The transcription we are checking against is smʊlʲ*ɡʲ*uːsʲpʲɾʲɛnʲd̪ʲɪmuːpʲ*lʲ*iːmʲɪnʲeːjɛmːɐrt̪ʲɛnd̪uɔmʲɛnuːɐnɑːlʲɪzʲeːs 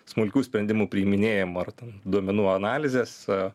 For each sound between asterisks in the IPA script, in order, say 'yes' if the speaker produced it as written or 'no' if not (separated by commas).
no, no